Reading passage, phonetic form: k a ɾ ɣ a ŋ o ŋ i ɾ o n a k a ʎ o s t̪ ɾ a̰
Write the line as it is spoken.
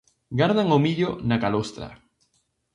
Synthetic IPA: ɡ a ɾ ð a ŋ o m i ʎ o n a k a l o s t̪ ɾ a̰